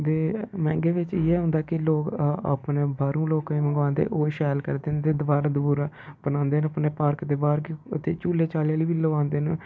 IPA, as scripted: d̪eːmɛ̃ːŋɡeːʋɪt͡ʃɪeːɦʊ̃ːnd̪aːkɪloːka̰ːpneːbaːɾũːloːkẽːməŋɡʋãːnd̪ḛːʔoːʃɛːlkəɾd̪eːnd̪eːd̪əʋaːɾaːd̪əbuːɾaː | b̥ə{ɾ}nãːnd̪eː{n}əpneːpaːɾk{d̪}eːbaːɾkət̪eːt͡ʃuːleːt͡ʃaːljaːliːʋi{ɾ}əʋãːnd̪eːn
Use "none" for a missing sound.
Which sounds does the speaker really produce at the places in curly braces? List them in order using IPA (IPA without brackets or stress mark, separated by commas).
none, n, d̪, l